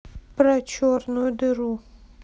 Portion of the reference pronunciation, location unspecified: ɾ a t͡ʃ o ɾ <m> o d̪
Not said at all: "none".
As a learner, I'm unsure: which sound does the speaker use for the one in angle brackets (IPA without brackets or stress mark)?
n